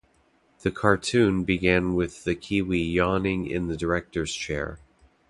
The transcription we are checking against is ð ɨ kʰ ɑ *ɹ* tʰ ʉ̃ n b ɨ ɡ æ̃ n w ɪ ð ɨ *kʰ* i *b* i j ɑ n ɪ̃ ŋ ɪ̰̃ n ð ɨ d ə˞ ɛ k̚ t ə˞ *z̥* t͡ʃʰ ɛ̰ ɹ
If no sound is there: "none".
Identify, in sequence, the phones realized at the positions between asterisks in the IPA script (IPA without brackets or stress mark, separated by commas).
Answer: ɹ, kʰ, w, z̥